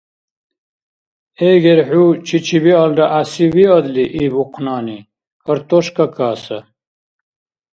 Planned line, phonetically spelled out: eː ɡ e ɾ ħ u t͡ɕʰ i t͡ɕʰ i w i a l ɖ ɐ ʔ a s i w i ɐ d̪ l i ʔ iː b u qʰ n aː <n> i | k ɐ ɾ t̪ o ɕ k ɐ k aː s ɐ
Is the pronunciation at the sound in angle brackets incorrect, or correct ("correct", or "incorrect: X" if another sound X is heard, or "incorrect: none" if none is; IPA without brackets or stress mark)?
correct